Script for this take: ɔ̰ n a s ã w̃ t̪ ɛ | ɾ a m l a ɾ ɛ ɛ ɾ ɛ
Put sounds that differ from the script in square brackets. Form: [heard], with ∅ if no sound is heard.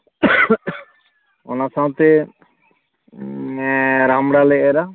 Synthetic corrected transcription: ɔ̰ n a s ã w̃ t̪ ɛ | ɾ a m [ɽ] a [l] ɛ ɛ ɾ [a]